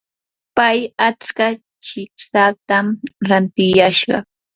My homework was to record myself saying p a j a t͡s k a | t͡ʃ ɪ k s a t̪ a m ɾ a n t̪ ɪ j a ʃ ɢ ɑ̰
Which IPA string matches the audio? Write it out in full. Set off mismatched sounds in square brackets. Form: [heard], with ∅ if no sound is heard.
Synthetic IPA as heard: p a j a t͡s k a | t͡ʃ ɪ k s a t̪ a m ɾ a n t̪ ɪ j a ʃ ɢ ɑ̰